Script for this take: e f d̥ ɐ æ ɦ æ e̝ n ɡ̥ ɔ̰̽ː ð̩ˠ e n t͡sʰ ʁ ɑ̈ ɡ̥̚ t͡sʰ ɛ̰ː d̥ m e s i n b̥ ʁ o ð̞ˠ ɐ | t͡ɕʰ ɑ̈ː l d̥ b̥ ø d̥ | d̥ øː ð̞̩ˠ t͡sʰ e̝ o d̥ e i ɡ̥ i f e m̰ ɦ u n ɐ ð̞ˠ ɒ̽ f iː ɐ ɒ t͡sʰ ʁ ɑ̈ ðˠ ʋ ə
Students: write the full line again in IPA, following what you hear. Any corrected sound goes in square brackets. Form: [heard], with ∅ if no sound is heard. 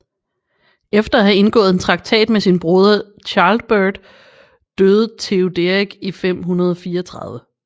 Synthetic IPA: e f d̥ ɐ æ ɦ æ e̝ n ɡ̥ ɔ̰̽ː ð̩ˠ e n t͡sʰ ʁ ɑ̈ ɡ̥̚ t͡sʰ ɛ̰ː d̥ m e s i n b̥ ʁ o ð̞ˠ ɐ | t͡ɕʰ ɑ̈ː l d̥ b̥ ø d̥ | d̥ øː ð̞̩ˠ t͡sʰ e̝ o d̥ e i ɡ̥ i f e m̰ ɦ u n ɐ ð̞ˠ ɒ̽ f iː ɐ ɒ t͡sʰ ʁ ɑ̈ ðˠ ʋ ə